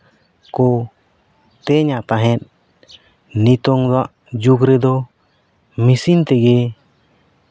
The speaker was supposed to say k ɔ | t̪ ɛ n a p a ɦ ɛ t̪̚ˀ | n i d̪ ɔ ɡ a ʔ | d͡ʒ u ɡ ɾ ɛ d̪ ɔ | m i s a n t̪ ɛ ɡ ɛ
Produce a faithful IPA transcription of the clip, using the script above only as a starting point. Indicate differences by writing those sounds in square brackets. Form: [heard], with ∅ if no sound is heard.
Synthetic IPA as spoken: k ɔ | t̪ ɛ [ɲ] a p a ɦ ɛ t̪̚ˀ | n i [t̪] ɔ [ŋ] a ʔ | d͡ʒ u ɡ ɾ ɛ d̪ ɔ | m i s [i] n t̪ ɛ ɡ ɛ

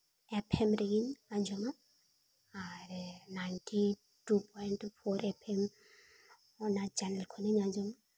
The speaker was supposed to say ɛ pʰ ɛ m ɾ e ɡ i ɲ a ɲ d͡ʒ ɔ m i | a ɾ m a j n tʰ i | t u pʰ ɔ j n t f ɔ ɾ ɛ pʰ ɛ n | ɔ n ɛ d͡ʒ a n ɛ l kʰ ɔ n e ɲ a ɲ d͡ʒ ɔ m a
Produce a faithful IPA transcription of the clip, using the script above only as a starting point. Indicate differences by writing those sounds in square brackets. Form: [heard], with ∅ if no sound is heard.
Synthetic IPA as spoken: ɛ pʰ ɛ m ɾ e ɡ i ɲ a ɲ d͡ʒ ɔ m [a] | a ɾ [n] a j n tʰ i | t u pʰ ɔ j n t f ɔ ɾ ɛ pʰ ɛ [m] | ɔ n [a] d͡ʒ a n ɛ l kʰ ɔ n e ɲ a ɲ d͡ʒ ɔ m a

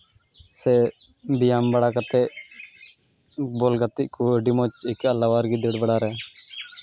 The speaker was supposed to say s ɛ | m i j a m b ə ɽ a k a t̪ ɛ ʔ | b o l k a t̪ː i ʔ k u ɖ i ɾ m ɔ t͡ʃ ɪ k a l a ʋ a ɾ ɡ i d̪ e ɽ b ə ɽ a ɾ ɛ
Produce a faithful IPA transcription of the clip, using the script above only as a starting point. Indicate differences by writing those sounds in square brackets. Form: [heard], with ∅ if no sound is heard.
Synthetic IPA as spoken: s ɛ | [b] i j a m b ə ɽ a k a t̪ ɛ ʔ | b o l [ɡ] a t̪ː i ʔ k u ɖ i [∅] m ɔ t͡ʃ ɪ k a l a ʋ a ɾ ɡ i d̪ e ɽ b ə ɽ a ɾ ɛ

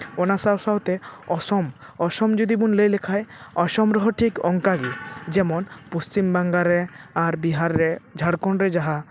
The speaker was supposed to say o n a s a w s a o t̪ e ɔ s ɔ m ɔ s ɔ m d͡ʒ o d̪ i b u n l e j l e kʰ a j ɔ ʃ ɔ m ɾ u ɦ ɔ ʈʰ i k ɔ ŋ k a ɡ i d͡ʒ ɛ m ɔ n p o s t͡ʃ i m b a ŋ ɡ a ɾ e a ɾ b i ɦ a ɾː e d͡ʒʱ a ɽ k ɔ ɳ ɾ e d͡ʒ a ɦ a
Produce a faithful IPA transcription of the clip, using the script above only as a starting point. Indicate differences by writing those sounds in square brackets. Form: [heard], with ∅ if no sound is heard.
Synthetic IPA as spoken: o n a s a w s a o t̪ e ɔ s ɔ m ɔ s ɔ m d͡ʒ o d̪ i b u n l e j l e kʰ a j ɔ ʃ ɔ m ɾ [ɔ] ɦ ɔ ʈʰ i k ɔ ŋ k a ɡ i d͡ʒ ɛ m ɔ n p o s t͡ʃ i m b a ŋ ɡ a ɾ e a ɾ b i ɦ a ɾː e d͡ʒʱ a ɽ k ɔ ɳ ɾ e d͡ʒ a ɦ a

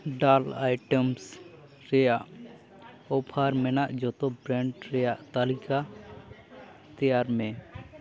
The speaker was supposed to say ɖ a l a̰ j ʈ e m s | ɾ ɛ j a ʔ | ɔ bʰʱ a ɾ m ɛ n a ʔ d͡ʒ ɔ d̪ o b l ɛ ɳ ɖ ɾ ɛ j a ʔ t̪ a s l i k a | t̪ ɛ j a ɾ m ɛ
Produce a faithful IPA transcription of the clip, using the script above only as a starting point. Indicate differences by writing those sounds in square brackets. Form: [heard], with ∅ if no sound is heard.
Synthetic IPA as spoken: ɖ a l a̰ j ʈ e m s | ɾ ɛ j a ʔ | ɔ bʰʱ a ɾ m ɛ n a ʔ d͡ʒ ɔ [t̪] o b [ɾ] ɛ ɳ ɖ ɾ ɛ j a ʔ t̪ a [∅] l i k a | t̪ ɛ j a ɾ m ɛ

